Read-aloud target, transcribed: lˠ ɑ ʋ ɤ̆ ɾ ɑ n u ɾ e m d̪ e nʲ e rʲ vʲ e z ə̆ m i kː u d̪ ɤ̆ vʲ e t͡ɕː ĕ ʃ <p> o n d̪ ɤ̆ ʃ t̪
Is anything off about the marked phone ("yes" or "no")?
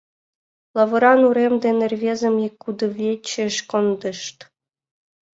yes